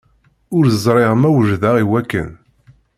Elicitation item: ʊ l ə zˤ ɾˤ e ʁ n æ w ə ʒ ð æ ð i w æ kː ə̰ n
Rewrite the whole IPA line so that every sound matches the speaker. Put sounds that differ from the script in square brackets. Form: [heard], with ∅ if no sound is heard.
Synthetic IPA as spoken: ʊ [ɾ] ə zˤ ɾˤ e ʁ [m] æ w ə ʒ ð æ [ʁ] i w æ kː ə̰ n